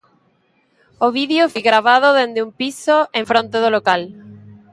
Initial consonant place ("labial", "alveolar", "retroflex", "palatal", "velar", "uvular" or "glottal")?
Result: labial